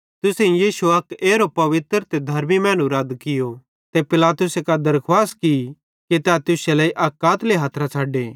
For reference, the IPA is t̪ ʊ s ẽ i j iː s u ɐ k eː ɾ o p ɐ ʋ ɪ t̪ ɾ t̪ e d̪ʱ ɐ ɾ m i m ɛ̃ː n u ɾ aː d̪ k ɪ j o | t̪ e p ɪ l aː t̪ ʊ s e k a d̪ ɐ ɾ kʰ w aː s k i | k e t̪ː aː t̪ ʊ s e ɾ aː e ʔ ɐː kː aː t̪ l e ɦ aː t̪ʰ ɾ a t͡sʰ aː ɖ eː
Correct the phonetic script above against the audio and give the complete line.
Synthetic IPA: t̪ ʊ s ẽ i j iː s u ɐ k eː ɾ o p ɐ ʋ ɪ t̪ ɾ t̪ e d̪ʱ ɐ ɾ m i m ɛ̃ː n u ɾ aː d̪ k ɪ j o | t̪ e p ɪ l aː t̪ ʊ s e k a d̪ ɐ ɾ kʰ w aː s k i | k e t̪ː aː t̪ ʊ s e l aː i ʔ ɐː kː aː t̪ l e ɦ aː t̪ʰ ɾ a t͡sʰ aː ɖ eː